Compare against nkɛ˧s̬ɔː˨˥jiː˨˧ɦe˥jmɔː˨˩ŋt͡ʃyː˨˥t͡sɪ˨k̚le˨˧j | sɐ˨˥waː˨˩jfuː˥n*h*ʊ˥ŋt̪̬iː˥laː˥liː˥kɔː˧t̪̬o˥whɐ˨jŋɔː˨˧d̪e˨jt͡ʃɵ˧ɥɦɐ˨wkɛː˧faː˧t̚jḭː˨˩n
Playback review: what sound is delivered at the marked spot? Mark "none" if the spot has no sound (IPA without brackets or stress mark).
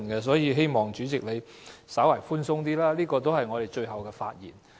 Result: s